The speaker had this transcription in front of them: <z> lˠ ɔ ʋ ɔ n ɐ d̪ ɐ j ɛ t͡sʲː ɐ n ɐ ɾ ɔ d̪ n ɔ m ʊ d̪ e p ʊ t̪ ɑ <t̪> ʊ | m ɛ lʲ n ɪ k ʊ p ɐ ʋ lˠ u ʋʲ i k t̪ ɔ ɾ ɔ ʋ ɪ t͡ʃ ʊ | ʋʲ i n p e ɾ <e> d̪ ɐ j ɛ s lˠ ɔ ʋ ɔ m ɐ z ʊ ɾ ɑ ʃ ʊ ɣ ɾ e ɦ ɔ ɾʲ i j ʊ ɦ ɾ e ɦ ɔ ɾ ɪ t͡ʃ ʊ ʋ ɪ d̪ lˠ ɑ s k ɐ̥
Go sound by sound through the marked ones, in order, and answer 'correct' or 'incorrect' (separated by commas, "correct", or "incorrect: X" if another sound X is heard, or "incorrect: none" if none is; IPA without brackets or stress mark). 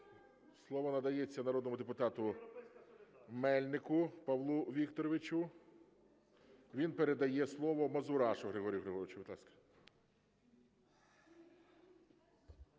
incorrect: s, correct, correct